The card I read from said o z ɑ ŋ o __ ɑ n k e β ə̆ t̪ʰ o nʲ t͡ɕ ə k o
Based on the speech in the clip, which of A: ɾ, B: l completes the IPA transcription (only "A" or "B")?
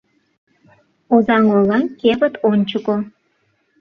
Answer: B